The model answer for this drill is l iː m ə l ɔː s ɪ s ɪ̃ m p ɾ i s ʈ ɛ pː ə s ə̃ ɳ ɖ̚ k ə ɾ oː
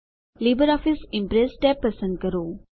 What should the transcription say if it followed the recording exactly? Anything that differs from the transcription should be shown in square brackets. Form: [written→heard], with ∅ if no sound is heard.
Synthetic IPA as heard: l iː [m→b] ə [l→ɾ] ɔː [s→f] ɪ s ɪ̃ m p ɾ [i→e] s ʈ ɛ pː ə s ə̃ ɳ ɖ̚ k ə ɾ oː